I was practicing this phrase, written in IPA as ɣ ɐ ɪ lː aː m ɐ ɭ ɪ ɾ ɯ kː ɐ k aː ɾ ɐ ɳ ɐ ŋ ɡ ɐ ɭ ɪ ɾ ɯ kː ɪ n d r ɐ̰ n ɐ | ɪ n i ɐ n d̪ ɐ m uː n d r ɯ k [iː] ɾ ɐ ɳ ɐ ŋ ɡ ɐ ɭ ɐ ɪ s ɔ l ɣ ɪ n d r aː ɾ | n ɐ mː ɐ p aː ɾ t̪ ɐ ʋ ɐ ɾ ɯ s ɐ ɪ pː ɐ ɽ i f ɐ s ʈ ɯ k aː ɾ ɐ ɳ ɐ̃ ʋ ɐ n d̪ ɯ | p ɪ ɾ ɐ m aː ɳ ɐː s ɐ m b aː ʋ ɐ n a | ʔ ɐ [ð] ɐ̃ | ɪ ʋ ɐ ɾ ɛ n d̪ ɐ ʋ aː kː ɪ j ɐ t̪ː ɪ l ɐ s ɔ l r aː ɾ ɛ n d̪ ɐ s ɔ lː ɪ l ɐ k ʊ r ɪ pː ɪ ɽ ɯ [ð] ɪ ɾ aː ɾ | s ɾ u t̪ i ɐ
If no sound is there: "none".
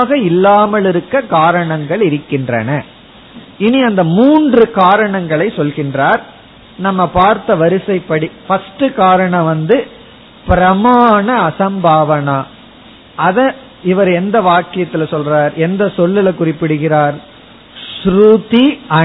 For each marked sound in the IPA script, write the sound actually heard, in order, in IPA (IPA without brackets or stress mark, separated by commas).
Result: aː, ð, ɣ